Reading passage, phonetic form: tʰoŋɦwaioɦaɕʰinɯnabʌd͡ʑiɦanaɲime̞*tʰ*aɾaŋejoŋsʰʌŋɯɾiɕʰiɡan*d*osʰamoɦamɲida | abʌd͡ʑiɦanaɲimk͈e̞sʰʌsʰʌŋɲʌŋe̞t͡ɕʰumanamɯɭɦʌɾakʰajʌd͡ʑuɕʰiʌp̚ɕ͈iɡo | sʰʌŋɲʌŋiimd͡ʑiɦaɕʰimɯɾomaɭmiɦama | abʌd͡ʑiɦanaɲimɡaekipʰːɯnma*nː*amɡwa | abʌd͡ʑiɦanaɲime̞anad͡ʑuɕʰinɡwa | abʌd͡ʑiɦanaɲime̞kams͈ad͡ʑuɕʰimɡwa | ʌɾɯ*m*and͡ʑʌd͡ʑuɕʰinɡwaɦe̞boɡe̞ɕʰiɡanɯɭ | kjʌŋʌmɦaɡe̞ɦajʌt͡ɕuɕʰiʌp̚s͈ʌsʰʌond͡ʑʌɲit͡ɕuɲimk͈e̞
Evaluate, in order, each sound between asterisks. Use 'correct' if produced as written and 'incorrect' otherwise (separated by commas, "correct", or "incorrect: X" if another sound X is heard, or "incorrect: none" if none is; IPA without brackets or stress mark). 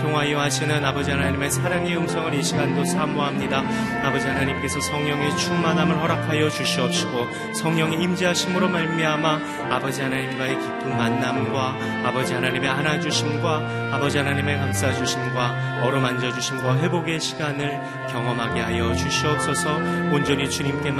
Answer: incorrect: sʰ, correct, correct, correct